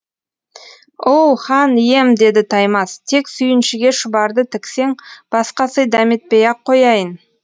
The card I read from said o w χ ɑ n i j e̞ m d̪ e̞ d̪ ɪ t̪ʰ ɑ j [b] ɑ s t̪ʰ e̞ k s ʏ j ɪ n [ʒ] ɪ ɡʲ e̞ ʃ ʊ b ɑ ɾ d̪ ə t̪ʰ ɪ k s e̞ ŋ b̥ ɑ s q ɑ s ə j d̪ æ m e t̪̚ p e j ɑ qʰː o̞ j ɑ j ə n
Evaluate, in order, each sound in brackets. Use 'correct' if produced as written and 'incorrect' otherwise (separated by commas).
incorrect, incorrect